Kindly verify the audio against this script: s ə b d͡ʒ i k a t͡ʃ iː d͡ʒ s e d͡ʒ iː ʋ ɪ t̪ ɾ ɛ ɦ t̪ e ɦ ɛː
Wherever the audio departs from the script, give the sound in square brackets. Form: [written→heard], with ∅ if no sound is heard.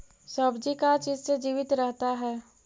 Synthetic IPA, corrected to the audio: s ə b d͡ʒ i k a t͡ʃ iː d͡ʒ s e d͡ʒ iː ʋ ɪ t̪ ɾ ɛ ɦ t̪ [e→a] ɦ ɛː